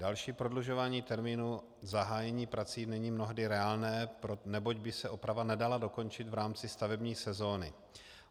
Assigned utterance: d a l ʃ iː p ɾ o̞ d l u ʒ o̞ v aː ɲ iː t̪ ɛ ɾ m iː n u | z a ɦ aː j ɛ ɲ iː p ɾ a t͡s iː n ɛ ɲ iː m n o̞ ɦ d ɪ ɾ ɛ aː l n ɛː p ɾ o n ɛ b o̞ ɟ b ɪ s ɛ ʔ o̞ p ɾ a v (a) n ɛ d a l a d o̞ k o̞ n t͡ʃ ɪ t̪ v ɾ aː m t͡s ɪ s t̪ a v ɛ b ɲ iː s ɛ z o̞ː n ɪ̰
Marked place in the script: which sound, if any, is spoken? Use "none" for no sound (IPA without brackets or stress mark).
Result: a